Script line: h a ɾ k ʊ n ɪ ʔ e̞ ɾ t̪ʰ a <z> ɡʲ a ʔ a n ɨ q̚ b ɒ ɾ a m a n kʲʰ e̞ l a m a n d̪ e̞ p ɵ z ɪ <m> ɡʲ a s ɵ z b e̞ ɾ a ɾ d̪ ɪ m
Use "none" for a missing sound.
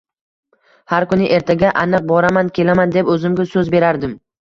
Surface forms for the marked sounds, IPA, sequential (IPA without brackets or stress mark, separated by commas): none, m